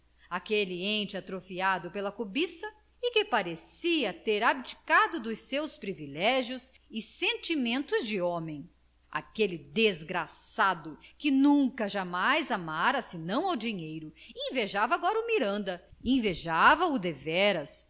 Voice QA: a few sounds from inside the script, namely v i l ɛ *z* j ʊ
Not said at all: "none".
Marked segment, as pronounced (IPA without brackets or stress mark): ʒ